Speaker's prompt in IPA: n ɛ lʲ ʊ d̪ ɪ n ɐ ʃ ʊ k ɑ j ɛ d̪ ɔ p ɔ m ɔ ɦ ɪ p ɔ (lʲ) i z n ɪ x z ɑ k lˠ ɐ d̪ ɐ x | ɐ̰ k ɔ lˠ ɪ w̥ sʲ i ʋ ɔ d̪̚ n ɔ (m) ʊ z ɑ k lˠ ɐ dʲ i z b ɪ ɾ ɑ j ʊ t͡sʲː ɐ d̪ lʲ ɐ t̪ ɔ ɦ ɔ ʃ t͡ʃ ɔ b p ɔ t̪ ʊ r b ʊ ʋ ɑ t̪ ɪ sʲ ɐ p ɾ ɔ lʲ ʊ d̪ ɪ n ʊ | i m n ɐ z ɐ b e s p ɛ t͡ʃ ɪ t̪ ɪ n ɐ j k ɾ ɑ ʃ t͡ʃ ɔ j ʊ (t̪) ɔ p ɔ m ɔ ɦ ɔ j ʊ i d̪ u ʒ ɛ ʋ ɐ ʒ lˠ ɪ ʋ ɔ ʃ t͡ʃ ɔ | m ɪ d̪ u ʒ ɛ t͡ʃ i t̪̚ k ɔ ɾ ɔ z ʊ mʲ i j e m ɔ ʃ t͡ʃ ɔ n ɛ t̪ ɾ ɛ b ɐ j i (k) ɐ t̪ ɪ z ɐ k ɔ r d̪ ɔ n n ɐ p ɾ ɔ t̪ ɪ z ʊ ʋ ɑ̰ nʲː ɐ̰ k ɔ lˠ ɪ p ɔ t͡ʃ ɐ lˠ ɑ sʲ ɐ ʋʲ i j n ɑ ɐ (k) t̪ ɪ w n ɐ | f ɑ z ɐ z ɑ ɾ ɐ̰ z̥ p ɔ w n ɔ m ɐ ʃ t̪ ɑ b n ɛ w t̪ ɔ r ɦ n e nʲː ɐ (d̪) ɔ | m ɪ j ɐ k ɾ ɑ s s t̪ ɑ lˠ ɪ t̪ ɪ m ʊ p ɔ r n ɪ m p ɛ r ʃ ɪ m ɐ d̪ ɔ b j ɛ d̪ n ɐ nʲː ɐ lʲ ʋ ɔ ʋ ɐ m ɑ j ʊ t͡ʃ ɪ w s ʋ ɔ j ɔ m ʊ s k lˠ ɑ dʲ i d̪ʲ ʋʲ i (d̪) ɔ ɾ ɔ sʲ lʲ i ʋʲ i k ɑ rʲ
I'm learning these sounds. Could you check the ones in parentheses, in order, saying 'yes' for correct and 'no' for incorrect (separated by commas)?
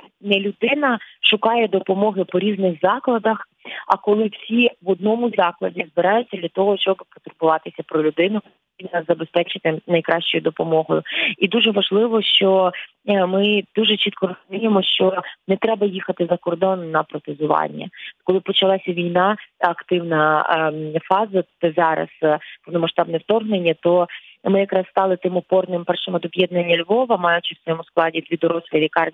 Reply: no, yes, no, no, yes, no, yes